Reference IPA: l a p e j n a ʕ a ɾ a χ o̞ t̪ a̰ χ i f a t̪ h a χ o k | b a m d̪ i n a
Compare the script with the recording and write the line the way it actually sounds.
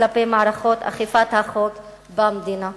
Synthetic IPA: l a p e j m a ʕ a ɾ a χ o̞ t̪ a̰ χ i f a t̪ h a χ o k | b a m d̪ i n a